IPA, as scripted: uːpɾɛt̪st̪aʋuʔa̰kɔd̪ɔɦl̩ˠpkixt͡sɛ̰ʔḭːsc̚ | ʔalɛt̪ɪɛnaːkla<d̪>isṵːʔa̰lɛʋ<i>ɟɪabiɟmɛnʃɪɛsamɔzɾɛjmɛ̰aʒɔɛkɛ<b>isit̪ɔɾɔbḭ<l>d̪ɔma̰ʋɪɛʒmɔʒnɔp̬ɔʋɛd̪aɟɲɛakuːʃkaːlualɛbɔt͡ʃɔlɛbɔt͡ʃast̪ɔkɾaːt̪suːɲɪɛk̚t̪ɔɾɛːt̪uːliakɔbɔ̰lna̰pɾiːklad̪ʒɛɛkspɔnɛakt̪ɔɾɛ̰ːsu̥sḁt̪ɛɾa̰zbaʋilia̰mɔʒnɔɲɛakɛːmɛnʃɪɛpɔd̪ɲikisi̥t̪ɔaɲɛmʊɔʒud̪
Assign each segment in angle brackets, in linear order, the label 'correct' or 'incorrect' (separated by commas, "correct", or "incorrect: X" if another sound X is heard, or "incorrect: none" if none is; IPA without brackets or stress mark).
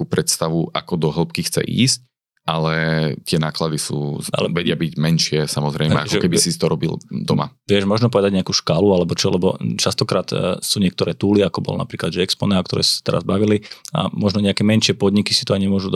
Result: correct, incorrect: ɛ, correct, correct